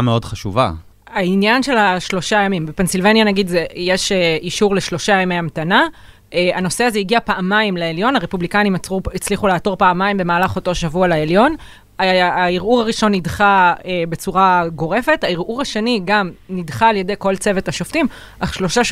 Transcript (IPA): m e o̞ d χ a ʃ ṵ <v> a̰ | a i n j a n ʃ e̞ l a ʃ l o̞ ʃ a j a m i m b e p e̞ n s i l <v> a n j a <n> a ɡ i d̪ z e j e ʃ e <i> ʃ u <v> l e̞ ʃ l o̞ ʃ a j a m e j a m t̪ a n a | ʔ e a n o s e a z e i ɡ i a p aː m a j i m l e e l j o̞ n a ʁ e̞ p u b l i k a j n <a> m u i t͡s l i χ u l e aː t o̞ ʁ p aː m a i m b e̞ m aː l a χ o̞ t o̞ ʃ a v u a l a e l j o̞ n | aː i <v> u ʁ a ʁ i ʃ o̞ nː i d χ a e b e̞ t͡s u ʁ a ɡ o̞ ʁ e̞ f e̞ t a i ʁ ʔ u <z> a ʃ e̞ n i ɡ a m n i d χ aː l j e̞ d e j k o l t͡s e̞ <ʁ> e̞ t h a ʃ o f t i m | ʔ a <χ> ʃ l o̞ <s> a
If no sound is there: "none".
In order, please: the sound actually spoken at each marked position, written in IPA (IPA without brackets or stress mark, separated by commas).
v, v, n, i, ʁ, i, ʁ, ʁ, v, χ, ʃ